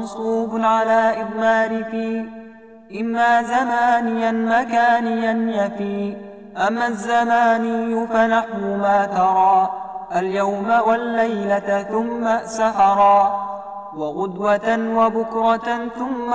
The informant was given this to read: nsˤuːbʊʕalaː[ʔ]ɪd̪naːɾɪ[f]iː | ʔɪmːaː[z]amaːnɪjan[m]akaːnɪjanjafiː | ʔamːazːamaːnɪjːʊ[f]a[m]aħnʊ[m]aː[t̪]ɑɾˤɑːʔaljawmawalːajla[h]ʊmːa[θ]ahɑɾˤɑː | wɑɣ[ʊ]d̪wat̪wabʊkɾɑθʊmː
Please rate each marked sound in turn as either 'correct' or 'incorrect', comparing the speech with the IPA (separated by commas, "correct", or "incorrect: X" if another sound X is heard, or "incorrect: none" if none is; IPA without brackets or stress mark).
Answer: correct, correct, correct, correct, correct, incorrect: n, correct, correct, incorrect: θ, incorrect: s, correct